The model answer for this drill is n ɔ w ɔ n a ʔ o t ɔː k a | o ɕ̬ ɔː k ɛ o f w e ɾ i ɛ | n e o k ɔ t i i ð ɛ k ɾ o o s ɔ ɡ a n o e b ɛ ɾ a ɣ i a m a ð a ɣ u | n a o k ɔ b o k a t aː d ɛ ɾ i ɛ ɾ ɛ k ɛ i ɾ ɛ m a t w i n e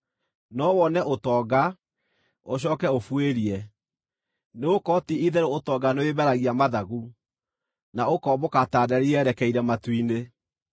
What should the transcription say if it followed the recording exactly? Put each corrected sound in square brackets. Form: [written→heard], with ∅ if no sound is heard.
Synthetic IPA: n ɔ w ɔ n [a→ɛ] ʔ o t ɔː [k→ɡ] a | o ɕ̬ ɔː k ɛ o f w e ɾ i ɛ | n e o k ɔ t i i ð ɛ [k→∅] ɾ o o [s→t] ɔ ɡ a n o e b ɛ ɾ a ɣ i a m a ð a ɣ u | n a o k ɔ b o k a t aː d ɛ ɾ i ɛ ɾ ɛ k ɛ i ɾ ɛ m a t w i n e